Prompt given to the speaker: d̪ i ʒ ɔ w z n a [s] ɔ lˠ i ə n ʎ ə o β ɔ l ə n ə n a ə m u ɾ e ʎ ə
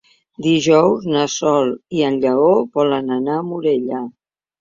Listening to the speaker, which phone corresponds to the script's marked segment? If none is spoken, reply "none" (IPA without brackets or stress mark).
s